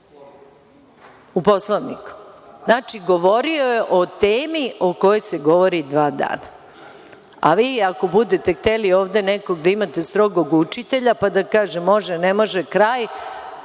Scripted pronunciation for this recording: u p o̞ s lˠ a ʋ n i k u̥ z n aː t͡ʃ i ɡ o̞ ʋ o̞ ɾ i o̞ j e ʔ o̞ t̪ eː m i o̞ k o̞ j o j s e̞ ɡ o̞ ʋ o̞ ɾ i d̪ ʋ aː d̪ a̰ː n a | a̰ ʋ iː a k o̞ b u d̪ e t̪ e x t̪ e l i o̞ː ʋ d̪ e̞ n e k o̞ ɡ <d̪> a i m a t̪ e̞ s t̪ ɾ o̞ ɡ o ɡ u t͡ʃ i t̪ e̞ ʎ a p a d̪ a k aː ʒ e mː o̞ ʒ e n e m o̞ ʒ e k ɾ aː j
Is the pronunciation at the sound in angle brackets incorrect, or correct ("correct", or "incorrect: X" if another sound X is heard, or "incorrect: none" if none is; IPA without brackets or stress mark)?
correct